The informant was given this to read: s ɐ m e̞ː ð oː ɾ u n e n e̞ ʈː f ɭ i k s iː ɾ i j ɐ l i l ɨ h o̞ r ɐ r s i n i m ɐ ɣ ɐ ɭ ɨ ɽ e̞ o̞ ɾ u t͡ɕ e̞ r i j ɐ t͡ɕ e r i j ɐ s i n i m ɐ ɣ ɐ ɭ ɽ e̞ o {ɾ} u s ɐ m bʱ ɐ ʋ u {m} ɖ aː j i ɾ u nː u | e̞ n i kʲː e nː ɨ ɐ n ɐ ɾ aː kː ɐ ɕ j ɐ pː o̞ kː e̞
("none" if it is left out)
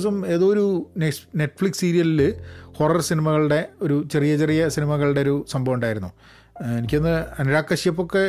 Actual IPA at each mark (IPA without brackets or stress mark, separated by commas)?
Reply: ɾ, ɳ